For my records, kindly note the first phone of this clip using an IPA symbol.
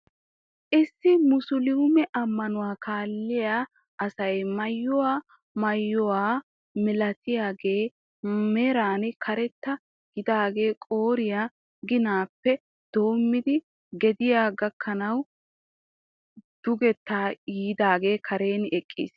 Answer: ʔ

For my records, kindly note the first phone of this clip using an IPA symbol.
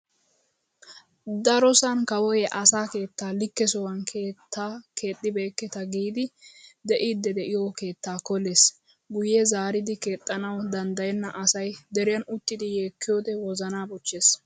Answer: d̪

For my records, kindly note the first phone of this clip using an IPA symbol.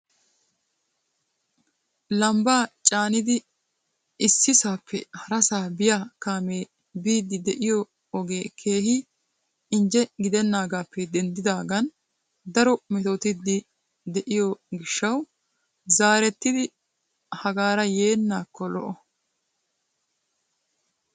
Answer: l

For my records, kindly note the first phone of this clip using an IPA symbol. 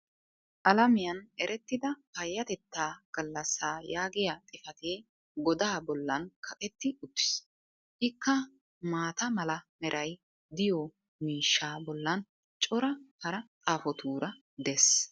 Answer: ʔ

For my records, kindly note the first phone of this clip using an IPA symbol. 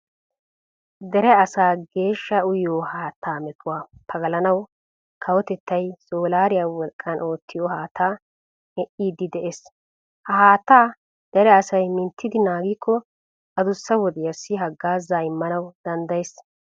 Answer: d̪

